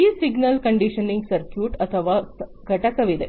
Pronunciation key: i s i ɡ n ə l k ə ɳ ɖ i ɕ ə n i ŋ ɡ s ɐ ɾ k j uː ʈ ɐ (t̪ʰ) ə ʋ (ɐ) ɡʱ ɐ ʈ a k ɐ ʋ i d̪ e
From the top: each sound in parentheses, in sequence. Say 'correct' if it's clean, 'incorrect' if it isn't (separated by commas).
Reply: correct, incorrect